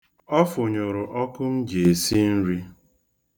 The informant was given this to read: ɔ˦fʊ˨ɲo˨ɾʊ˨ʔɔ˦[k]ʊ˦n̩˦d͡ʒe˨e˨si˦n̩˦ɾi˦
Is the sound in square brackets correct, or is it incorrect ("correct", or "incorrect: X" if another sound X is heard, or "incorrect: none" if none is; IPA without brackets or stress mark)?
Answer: correct